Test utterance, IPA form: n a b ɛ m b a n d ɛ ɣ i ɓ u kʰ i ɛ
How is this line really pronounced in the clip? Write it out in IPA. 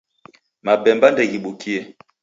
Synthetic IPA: m a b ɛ m b a n d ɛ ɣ i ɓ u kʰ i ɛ

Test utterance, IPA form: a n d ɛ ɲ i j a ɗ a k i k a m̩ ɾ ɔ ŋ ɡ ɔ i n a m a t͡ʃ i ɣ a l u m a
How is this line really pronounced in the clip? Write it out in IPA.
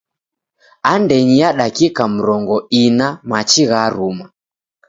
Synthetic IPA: a n d ɛ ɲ i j a ɗ a k i k a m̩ ɾ ɔ ŋ ɡ ɔ i n a m a t͡ʃ i ɣ a ɾ u m a

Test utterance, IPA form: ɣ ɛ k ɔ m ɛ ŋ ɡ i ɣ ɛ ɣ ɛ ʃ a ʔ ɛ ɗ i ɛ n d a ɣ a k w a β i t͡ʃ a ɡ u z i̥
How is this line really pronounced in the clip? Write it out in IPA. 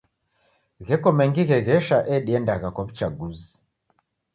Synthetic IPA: ɣ ɛ k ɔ m ɛ ŋ ɡ i ɣ ɛ ɣ ɛ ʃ a ʔ ɛ ɗ i ɛ n d a ɣ a k w a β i t͡ʃ a ɡ u z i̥

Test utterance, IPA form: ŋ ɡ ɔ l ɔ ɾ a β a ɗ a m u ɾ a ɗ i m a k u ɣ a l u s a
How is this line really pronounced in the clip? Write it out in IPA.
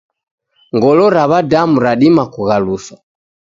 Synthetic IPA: ŋ ɡ ɔ l ɔ ɾ a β a d a m u ɾ a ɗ i m a k u ɣ a l u s a

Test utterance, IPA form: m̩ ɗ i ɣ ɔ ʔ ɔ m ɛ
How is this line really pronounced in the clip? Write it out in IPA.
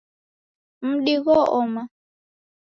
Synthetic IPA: m̩ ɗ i ɣ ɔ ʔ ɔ m a

